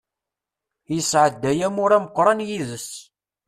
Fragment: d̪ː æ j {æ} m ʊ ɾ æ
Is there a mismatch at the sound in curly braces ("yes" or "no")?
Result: no